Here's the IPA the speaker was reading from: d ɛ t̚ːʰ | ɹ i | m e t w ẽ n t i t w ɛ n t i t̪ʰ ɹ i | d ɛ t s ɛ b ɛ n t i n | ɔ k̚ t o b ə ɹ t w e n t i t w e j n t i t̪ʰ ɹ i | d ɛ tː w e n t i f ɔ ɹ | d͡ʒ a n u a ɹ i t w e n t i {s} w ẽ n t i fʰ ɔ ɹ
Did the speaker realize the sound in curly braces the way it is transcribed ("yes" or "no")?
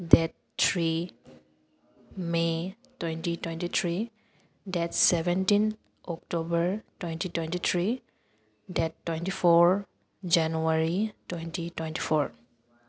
no